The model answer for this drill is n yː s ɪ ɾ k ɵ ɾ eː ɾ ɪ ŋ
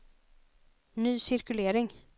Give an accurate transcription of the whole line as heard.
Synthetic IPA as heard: n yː s ɪ ɾ k ɵ l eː ɾ ɪ ŋ

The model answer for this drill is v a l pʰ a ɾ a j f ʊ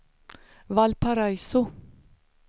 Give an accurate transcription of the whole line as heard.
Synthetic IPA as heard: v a l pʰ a ɾ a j s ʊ

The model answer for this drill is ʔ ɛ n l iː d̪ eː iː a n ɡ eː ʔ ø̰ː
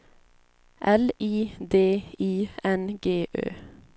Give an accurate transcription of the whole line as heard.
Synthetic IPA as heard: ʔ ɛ l iː d̪ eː iː ɛ n ɡ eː ʔ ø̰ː

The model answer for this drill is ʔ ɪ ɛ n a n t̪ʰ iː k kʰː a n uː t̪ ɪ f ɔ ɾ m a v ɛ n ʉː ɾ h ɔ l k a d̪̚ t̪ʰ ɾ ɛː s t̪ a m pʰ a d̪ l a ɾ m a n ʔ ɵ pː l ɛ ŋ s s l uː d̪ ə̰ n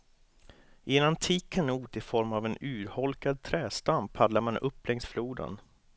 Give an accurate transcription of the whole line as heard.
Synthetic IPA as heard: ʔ ɪ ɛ n a n t̪ʰ iː k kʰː a n uː t̪ ɪ f ɔ ɾ m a v ɛ n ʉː ɾ h ɔ l k a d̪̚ t̪ʰ ɾ ɛː s t̪ a m pʰ a d̪ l a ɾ m a n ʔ ɵ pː l ɛ ŋ s f l uː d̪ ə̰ n

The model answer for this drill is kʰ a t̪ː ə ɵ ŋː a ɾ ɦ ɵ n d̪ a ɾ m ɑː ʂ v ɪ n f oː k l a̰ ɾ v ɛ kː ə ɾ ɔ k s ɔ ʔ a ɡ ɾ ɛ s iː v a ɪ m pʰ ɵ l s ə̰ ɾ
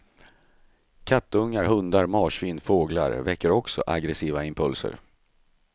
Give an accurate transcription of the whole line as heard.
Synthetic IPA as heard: kʰ a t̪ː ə ɵ ŋː a ɾ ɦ ɵ n d̪ a ɾ m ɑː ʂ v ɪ n f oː ɡ l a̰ ɾ v ɛ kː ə ɾ ɔ k s ɔ ʔ a ɡ ɾ ɛ s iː v a ɪ m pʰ ɵ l s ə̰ ɾ

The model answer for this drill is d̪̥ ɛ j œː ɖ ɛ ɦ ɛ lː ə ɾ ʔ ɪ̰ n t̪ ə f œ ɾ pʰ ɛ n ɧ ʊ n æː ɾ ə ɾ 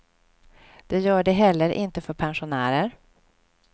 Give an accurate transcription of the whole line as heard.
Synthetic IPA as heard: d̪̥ ɛ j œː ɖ ɛ ɦ ɛ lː ə ɾ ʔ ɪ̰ n t̪ ə f œ ɾ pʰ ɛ n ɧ ʊ n æː ɾ ə ɾ

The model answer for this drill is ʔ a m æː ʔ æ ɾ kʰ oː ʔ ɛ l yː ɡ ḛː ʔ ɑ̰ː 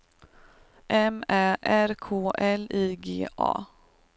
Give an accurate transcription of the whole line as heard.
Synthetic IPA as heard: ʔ ɛ m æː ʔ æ ɾ kʰ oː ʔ ɛ l iː ɡ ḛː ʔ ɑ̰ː

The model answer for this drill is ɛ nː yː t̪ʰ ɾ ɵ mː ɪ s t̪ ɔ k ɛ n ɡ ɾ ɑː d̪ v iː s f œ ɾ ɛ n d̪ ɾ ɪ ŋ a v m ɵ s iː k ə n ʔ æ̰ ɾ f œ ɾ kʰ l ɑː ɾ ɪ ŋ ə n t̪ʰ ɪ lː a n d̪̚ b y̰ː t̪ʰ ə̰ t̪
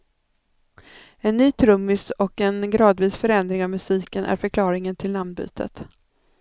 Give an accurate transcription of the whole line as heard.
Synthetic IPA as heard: ɛ nː yː t̪ʰ ɾ ɵ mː ɪ s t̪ ɔ k ɛ n ɡ ɾ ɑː d̪ v iː s f œ ɾ ɛ n d̪ ɾ ɪ ŋ a v m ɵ s iː k ə n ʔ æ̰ ɾ f œ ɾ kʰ l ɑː ɾ ɪ ŋ ə n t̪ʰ ɪ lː a n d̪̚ b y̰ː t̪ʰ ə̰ t̪

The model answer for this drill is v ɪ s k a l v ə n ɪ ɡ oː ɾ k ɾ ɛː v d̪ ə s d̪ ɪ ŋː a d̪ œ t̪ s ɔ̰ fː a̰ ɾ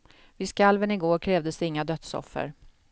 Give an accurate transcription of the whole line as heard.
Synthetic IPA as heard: v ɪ s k a l v ə n ɪ ɡ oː ɾ kʰ ɾ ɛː v d̪ ə s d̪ ɪ ŋː a d̪ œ t̪ s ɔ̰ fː ə̰ ɾ

